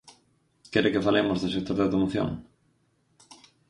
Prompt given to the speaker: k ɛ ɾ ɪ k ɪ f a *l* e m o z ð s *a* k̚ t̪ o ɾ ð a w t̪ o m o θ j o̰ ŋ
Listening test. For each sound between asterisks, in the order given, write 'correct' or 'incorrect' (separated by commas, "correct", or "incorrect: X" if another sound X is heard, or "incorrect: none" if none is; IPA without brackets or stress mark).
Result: correct, incorrect: e